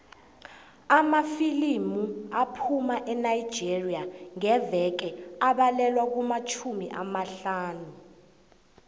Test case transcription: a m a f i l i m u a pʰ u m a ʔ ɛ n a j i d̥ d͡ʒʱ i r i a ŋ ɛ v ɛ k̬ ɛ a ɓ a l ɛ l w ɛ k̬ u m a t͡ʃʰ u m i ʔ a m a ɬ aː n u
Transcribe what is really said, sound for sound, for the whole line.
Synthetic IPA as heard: a m a f i l i m u a pʰ u m a ʔ ɛ n a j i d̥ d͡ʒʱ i r i a ŋ ɛ v ɛ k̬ ɛ a ɓ a l ɛ l w a k̬ u m a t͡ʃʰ u m i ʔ a m a ɬ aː n u